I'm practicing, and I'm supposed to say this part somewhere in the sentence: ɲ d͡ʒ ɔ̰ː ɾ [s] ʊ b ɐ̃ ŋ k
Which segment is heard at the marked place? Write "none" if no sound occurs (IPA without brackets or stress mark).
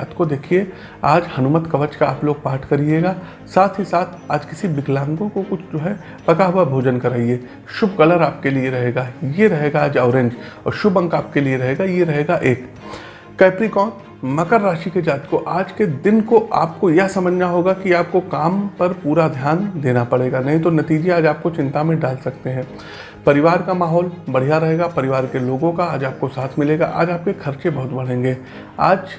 ʃ